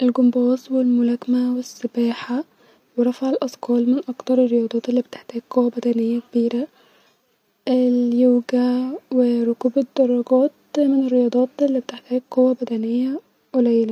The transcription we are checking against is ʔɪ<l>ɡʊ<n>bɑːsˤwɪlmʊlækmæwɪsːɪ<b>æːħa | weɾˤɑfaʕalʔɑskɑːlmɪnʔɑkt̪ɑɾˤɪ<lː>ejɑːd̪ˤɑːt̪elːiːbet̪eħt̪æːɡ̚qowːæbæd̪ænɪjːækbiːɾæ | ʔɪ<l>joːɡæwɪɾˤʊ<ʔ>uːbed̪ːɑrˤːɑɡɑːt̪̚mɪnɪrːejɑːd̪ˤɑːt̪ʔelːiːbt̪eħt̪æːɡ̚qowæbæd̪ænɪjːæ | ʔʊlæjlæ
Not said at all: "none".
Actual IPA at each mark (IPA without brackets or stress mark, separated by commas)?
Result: l, m, b, rː, l, k